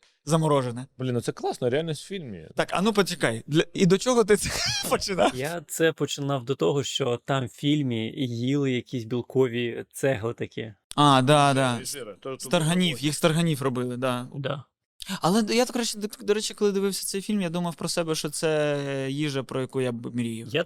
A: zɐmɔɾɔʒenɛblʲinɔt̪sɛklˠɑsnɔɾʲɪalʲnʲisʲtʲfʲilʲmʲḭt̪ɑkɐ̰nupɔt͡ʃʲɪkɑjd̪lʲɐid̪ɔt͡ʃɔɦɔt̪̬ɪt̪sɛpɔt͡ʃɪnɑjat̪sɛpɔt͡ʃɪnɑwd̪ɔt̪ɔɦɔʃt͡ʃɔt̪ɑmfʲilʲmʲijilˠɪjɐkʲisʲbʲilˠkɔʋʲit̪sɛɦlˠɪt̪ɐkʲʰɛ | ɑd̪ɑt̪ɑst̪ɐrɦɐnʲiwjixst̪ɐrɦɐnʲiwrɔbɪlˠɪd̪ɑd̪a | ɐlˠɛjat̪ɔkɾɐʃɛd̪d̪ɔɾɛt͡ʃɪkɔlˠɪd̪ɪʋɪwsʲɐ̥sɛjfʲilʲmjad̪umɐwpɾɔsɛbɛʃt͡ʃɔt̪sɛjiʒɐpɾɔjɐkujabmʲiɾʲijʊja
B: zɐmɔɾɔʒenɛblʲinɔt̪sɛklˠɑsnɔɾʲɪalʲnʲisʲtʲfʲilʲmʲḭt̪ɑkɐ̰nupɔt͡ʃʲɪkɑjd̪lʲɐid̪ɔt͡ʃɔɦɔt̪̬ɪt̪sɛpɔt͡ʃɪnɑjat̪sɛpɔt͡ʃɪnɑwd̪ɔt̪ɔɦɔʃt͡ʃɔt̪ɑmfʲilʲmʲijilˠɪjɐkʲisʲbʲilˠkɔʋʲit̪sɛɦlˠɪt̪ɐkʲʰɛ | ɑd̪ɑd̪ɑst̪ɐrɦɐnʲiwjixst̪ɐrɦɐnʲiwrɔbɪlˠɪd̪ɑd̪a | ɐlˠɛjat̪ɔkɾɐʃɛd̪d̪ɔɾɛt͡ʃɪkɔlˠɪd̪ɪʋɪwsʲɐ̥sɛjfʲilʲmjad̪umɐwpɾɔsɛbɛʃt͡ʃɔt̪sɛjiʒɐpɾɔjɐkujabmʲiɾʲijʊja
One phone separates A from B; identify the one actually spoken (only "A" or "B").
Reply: B